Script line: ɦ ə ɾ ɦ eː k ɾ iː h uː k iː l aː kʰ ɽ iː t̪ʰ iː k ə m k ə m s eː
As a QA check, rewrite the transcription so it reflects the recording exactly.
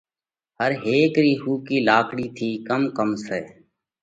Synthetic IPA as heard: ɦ ə ɾ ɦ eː k ɾ iː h uː k iː l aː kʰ ɽ iː t̪ʰ iː k ə m k ə m s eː